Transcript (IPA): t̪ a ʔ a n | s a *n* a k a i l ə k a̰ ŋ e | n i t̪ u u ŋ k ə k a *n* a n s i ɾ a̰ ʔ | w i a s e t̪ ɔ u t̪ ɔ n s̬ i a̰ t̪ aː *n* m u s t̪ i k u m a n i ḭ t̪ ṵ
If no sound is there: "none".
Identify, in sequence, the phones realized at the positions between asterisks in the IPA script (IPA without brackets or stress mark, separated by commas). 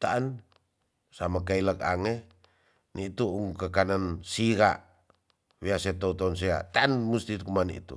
m, n, n